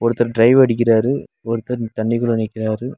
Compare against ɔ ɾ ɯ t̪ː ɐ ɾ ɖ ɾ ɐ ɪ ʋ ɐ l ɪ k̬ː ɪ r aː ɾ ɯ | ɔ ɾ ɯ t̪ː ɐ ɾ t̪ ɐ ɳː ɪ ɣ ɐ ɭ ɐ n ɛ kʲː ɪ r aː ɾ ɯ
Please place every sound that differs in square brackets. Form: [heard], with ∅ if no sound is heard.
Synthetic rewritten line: ɔ ɾ ɯ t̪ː ɐ ɾ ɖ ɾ ɐ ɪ ʋ ɐ [ɽ] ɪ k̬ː ɪ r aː ɾ ɯ | ɔ ɾ ɯ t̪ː ɐ ɾ t̪ ɐ ɳː ɪ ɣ ɐ ɭ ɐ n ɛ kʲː ɪ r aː ɾ ɯ